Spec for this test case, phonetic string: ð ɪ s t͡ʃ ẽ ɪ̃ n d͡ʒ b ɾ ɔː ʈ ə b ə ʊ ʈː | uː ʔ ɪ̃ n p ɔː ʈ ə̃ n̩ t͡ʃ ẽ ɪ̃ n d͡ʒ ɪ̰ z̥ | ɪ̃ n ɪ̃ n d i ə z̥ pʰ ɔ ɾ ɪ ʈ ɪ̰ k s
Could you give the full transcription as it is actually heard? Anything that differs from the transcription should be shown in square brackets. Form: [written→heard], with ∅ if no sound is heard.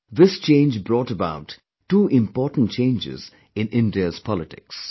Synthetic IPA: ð ɪ s t͡ʃ ẽ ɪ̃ n d͡ʒ b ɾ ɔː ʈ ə b [ə→a] ʊ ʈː | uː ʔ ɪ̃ [n→m] p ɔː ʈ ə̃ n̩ t͡ʃ ẽ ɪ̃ n d͡ʒ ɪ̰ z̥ | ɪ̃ n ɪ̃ n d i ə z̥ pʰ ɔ [ɾ→l] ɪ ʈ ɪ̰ k s